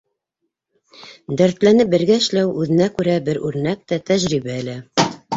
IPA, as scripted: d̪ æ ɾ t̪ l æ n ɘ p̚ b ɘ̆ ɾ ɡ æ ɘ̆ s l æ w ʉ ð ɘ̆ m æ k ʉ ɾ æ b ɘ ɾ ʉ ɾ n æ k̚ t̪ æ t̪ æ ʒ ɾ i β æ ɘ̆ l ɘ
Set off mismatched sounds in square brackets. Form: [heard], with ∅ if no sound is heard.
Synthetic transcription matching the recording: d̪ æ ɾ t̪ l æ n ɘ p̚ b ɘ̆ ɾ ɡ æ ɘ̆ [ʃ] l æ w ʉ ð ɘ̆ [n] æ k ʉ ɾ æ b ɘ ɾ ʉ ɾ n æ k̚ t̪ æ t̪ æ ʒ ɾ i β æ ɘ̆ l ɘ